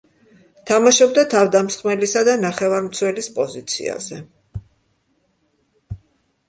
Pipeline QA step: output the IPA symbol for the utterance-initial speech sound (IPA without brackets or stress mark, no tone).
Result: t̪ʰ